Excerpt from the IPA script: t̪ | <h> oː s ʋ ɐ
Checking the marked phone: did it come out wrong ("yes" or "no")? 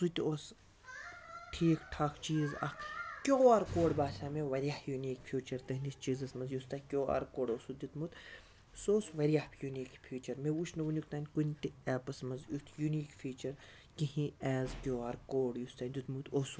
yes